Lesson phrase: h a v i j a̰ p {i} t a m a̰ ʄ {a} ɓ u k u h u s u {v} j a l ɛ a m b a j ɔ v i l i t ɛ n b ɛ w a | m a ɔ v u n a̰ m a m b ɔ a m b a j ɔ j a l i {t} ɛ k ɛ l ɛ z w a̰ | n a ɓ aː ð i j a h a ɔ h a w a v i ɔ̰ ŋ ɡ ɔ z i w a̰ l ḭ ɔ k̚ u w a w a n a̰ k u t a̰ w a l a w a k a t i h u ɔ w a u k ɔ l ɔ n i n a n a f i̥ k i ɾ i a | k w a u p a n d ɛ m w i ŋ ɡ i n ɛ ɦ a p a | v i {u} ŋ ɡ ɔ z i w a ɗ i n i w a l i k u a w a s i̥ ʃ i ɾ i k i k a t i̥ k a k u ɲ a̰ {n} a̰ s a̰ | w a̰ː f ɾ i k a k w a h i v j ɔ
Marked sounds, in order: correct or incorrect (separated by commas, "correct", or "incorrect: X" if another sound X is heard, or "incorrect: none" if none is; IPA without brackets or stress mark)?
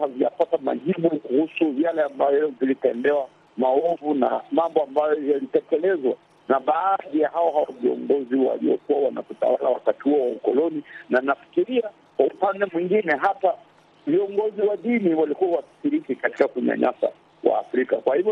incorrect: a, incorrect: i, correct, correct, incorrect: ɔ, incorrect: ɲ